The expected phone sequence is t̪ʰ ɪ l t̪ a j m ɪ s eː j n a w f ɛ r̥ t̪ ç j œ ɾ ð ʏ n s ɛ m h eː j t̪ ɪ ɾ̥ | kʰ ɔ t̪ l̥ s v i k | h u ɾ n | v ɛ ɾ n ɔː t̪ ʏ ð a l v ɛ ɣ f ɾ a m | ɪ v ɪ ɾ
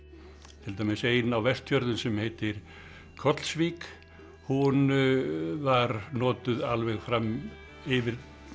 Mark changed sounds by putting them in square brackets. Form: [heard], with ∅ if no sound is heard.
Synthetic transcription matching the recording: t̪ʰ ɪ l t̪ a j m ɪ s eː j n a w [v] ɛ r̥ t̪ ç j œ ɾ ð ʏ n s ɛ m h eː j t̪ ɪ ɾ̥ | kʰ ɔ t̪ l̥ s v i k | h u [∅] n | v [a] ɾ n ɔː t̪ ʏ ð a l v ɛ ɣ f ɾ a m | ɪ v ɪ ɾ